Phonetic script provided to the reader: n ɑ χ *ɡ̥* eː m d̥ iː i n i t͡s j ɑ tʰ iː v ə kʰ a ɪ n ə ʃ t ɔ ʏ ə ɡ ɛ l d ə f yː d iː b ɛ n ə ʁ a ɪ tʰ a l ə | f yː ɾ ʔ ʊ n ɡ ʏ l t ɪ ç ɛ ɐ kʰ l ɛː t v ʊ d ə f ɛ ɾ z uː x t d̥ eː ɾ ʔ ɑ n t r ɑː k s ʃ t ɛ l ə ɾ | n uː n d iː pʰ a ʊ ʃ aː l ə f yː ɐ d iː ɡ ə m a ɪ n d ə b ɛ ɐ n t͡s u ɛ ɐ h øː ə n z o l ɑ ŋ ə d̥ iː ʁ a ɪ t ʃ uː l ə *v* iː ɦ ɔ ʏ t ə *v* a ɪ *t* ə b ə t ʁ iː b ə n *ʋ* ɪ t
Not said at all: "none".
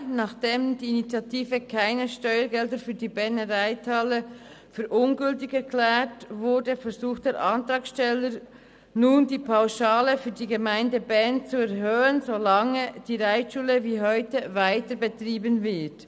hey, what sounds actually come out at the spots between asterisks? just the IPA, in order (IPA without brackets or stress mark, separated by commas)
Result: d̥, v, v, t, v